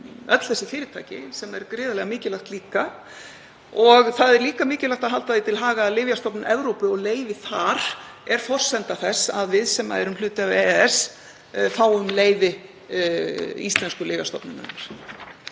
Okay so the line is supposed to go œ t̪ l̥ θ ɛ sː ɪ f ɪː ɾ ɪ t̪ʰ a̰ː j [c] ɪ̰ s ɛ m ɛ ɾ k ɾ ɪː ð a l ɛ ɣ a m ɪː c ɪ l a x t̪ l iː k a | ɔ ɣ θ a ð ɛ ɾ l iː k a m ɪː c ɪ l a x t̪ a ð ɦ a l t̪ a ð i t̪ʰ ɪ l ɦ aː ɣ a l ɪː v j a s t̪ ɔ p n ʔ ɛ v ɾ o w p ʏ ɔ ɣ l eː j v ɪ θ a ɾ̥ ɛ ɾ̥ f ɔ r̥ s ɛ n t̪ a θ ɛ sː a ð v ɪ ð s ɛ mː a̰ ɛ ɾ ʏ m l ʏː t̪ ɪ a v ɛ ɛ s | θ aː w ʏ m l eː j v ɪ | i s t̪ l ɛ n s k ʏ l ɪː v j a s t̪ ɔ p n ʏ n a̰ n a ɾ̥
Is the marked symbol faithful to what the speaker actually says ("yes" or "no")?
yes